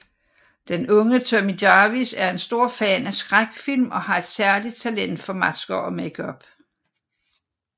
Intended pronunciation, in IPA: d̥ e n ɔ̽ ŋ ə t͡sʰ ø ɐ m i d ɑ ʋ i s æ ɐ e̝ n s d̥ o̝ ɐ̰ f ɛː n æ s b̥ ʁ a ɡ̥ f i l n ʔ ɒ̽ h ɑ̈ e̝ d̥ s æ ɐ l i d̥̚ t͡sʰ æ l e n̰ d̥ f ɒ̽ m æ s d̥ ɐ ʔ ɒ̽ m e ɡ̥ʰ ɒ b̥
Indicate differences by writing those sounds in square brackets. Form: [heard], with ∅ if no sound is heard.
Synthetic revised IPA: d̥ e n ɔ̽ ŋ ə t͡sʰ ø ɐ m i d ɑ ʋ i s æ ɐ e̝ n s d̥ o̝ ɐ̰ f ɛː n æ s [ɡ̥] ʁ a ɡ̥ f i l [m] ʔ ɒ̽ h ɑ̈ e̝ d̥ s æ ɐ l i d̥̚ t͡sʰ æ l e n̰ d̥ f ɒ̽ m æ s [ɡ̥] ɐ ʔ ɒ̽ m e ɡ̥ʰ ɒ b̥